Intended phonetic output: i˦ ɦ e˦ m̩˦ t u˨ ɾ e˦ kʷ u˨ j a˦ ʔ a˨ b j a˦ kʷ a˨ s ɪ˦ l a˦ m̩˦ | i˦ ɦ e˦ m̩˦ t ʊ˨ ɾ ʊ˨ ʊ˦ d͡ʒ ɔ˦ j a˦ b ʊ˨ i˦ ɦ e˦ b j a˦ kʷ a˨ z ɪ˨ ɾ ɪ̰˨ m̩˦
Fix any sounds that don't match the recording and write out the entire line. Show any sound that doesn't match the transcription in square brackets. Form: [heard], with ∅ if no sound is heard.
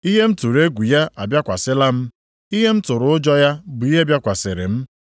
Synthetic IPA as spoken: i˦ ɦ e˦ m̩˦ t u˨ ɾ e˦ [ɡʷ] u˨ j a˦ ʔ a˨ b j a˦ kʷ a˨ s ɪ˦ l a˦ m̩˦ | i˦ ɦ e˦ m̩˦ t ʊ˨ ɾ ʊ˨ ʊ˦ d͡ʒ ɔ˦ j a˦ b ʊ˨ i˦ ɦ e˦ b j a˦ kʷ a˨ [s] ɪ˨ ɾ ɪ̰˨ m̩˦